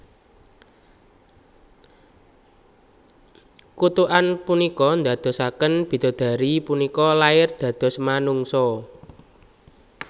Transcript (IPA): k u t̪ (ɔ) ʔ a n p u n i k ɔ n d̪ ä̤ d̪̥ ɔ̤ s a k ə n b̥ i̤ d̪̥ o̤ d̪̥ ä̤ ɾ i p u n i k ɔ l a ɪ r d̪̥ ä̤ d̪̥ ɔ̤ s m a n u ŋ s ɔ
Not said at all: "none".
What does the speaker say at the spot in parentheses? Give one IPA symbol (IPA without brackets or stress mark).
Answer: u